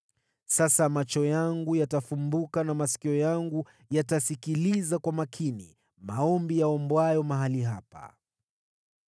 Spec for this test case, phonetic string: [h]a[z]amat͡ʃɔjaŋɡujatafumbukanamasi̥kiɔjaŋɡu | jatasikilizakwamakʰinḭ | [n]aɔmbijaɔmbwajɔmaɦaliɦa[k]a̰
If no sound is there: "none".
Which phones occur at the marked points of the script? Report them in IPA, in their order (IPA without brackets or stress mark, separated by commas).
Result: s, s, m, p